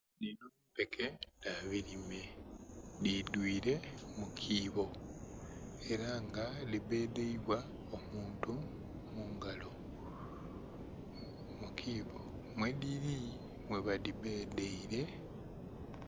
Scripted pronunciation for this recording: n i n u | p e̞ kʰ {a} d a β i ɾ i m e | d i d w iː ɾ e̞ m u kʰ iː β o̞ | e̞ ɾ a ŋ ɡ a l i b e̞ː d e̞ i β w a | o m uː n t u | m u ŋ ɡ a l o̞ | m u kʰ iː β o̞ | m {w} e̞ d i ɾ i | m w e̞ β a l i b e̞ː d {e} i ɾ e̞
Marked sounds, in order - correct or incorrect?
incorrect, correct, correct

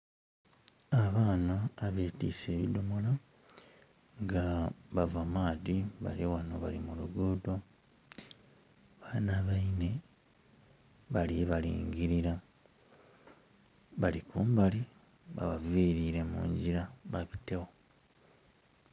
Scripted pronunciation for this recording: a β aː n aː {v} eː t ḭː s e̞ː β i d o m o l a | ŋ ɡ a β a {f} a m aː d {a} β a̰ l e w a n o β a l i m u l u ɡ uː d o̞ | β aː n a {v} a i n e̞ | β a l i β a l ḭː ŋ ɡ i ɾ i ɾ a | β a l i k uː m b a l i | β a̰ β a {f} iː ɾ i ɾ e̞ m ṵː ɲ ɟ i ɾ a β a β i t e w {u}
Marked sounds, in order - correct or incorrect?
incorrect, incorrect, incorrect, incorrect, incorrect, incorrect

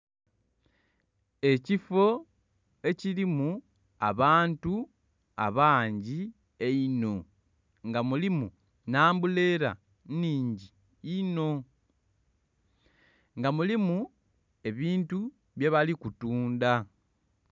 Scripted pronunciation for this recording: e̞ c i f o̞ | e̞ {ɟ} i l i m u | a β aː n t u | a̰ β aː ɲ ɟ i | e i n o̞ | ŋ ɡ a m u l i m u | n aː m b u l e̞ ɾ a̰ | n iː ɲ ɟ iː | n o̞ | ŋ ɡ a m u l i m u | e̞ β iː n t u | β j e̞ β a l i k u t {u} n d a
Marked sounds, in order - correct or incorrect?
incorrect, incorrect

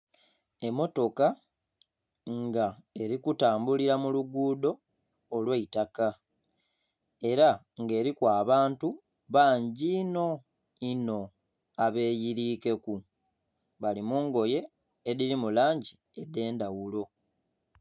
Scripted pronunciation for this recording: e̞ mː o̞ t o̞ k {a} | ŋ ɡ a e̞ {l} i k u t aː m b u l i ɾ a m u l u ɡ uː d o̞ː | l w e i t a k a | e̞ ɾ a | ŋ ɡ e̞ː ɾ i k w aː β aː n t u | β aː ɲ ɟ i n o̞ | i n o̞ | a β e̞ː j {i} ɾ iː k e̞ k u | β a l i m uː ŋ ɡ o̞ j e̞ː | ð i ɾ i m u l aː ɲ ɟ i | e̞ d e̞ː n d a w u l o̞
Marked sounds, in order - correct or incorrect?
correct, incorrect, correct

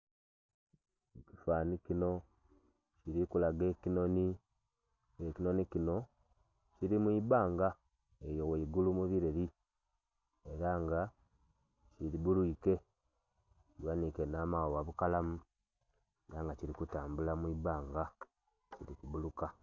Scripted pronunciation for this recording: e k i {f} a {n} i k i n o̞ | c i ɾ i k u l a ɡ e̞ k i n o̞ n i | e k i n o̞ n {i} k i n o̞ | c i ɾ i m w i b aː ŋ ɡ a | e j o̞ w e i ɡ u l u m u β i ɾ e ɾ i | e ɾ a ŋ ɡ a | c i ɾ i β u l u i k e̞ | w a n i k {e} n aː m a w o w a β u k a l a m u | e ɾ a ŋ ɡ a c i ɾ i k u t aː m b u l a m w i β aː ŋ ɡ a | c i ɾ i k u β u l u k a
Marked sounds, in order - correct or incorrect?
correct, correct, correct, correct

